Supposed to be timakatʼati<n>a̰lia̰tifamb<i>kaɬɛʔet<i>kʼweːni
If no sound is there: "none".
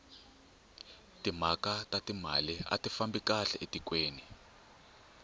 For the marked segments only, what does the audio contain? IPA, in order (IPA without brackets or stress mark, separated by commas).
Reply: m, i, i